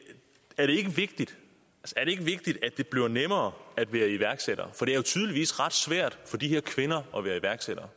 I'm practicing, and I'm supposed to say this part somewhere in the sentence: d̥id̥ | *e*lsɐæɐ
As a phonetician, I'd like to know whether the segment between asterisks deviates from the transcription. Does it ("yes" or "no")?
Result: yes